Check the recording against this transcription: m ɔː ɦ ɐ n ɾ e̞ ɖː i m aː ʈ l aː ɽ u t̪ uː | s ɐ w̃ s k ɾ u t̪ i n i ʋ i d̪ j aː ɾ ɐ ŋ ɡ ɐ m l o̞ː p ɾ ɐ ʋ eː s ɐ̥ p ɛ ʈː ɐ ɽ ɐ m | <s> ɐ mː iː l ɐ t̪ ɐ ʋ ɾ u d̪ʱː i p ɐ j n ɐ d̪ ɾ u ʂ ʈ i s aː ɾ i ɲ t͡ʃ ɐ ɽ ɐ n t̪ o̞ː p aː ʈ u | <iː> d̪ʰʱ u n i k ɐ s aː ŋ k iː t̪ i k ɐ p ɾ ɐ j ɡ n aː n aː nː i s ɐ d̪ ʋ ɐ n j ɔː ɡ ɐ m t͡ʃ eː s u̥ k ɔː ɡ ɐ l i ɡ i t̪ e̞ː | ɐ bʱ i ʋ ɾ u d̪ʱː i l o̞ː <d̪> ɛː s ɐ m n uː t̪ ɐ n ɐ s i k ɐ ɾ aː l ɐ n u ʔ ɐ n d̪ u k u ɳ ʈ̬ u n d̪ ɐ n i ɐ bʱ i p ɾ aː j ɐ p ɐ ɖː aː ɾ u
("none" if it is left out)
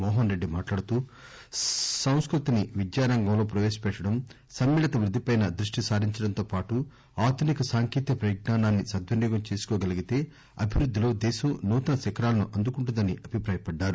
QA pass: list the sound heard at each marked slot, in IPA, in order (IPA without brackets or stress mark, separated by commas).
s, aː, d̪